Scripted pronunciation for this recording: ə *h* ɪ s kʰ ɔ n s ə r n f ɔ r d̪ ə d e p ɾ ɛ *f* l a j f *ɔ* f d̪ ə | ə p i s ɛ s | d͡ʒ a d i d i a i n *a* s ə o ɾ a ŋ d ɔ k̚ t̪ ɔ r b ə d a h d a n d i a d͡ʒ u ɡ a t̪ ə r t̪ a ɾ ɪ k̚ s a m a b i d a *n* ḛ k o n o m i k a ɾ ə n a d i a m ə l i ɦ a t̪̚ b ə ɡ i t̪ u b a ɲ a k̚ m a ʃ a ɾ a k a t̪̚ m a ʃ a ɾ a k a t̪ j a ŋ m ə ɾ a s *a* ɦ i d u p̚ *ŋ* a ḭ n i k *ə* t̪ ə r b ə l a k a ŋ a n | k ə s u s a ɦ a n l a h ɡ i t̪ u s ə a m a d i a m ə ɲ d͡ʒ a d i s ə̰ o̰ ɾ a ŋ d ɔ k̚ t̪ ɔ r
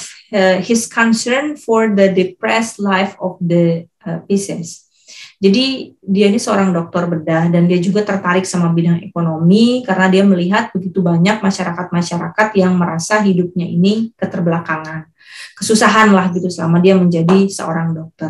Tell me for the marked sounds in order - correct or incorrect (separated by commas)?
correct, incorrect, correct, incorrect, incorrect, correct, incorrect, correct